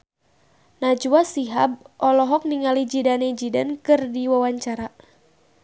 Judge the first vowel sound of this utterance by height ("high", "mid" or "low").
low